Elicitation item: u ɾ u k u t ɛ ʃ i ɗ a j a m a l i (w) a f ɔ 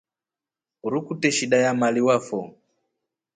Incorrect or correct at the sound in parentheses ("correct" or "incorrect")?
correct